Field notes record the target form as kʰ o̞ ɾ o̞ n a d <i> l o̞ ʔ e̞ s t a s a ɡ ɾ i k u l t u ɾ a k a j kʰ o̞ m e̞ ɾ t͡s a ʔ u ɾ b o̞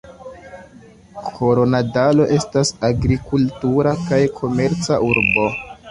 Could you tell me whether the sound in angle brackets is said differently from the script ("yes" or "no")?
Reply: yes